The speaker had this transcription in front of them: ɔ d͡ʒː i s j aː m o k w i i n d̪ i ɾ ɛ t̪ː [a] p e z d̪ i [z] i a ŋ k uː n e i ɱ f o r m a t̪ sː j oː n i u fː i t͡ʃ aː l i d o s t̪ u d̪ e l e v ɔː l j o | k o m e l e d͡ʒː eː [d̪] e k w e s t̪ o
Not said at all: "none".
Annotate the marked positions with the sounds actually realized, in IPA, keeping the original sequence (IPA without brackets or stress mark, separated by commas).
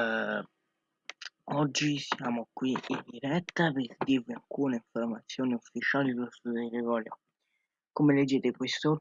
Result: a, v, t̪